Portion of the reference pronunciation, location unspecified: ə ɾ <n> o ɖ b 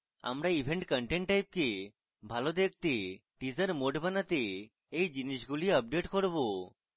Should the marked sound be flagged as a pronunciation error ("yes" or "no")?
yes